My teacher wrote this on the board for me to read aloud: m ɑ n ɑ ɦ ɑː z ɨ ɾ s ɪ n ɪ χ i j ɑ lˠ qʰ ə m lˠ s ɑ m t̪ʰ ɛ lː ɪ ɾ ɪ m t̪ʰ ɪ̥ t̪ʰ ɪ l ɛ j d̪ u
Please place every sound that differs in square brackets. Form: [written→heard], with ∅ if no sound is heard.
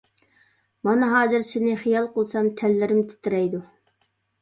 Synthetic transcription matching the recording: m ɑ n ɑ ɦ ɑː z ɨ ɾ s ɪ n ɪ χ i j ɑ lˠ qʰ ə [m→∅] lˠ s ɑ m t̪ʰ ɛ lː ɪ ɾ ɪ m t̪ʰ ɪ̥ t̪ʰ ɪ [l→ɾ] ɛ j d̪ u